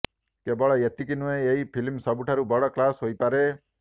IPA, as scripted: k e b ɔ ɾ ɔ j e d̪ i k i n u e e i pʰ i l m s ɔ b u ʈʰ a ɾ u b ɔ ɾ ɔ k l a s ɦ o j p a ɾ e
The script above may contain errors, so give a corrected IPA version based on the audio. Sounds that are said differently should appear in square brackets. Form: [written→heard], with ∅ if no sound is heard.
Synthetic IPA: k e b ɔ [ɾ→ɭ] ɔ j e [d̪→t̪] i k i n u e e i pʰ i l m s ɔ b u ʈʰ a ɾ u b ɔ [ɾ→ɽ] ɔ k l a s ɦ o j p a ɾ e